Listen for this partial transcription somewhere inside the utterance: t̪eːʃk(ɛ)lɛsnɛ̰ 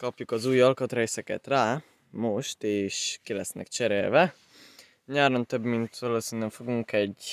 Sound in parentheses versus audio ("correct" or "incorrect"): incorrect